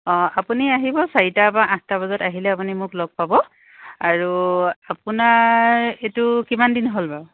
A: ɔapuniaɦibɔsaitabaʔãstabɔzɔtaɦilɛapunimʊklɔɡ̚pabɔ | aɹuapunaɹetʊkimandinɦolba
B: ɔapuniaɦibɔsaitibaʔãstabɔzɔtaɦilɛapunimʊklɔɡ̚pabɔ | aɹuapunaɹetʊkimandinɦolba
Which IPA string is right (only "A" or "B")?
A